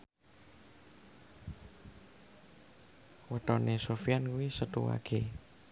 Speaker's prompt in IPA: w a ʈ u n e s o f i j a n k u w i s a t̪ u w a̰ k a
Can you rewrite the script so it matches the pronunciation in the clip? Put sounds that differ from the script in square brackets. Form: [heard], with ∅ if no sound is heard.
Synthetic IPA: w [ə] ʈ [ɔ] n e s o f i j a n k u w i s [ə] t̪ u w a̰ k [e]